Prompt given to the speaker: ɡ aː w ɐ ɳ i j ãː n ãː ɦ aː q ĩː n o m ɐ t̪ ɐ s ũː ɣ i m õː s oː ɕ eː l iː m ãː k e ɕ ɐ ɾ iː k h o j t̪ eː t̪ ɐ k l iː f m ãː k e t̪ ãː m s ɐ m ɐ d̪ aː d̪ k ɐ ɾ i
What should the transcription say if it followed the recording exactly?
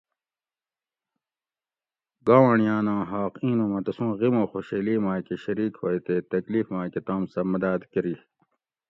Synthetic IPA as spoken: ɡ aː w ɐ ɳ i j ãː n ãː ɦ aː q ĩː n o m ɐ t̪ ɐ s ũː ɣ i m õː x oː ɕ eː l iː m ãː k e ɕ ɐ ɾ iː k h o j t̪ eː t̪ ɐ k l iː f m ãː k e t̪ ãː m s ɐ m ɐ d̪ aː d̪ k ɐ ɾ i